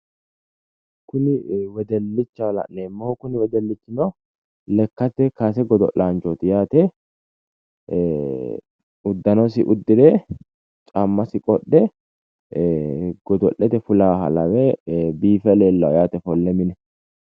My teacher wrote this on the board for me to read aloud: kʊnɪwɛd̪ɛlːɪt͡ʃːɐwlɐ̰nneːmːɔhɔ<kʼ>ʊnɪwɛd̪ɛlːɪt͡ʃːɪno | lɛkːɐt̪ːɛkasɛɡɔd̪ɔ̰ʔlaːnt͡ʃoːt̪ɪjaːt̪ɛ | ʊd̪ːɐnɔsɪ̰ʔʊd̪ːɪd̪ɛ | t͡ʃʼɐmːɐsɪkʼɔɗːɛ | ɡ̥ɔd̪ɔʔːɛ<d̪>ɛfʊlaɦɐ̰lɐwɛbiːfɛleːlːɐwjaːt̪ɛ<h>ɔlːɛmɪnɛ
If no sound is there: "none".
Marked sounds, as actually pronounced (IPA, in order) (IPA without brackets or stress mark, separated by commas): k, t̪, f